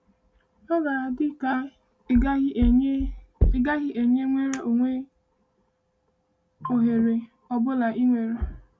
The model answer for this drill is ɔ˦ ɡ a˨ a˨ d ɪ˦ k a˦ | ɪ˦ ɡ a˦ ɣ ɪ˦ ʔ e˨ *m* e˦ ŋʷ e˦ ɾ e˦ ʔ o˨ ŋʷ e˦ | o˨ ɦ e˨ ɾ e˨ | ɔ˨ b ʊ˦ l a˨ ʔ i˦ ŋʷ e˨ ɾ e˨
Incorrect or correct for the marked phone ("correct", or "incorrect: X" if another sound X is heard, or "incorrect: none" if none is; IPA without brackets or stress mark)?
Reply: incorrect: ɲ